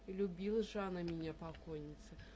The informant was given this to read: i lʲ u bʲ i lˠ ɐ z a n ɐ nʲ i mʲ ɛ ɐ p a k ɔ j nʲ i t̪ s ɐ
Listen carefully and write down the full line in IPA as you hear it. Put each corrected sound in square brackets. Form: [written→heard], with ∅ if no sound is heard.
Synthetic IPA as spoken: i lʲ u bʲ i lˠ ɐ [z→ʐ] a n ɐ [nʲ→mʲ] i [mʲ→nʲ] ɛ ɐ p a k ɔ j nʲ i t̪ s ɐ